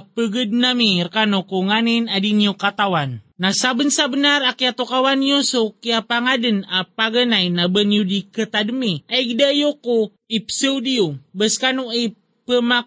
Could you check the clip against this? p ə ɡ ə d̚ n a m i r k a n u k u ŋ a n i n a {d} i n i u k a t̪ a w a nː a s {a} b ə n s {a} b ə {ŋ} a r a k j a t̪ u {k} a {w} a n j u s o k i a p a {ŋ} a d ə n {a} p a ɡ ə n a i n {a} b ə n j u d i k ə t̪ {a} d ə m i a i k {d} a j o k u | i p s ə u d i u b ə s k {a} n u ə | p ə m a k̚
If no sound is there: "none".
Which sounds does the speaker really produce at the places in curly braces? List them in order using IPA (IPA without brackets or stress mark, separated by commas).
d, a, a, n, k, w, ŋ, a, a, a, d, a